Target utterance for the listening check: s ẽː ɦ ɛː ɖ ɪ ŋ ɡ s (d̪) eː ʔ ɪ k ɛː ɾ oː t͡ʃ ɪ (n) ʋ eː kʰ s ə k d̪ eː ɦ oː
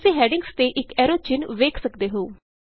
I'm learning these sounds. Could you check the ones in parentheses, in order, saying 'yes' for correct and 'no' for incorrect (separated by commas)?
no, yes